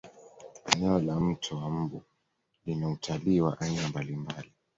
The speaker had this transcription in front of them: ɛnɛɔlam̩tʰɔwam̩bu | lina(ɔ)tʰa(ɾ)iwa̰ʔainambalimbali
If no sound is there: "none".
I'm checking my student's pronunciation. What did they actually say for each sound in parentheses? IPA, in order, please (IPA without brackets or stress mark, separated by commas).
u, l